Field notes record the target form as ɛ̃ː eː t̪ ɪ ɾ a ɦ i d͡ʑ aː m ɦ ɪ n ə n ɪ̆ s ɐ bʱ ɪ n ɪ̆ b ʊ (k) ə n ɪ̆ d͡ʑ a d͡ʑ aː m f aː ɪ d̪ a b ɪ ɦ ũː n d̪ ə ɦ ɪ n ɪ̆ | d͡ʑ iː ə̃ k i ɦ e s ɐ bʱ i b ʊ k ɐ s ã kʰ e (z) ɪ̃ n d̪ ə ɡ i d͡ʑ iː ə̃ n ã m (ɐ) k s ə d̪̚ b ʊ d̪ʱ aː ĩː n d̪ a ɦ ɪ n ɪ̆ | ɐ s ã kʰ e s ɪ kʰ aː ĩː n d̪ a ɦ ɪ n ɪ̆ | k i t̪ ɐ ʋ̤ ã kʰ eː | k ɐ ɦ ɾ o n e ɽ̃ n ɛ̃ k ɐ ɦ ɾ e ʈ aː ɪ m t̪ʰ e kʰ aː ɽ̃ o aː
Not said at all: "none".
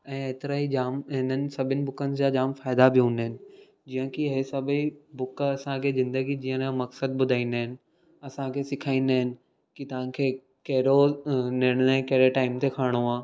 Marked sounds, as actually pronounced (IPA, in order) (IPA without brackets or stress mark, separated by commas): k, z, ɐ